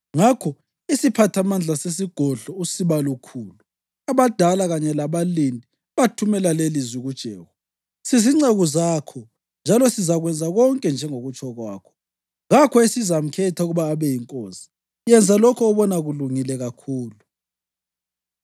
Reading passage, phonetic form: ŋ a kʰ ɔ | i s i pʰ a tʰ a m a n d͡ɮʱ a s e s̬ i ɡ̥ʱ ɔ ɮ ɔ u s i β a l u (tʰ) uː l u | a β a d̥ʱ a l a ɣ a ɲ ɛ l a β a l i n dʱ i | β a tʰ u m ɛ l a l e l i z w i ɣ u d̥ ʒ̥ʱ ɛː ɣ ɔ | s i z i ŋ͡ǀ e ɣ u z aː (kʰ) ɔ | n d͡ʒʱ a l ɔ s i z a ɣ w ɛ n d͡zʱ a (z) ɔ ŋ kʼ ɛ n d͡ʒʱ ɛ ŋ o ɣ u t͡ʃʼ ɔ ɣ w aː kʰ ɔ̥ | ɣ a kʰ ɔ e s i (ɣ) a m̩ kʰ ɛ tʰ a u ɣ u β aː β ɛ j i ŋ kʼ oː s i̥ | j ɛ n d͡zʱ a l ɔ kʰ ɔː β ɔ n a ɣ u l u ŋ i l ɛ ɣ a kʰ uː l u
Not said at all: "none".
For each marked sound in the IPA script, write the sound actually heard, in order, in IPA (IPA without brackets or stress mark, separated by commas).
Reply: kʰ, kʰ, ɣ, z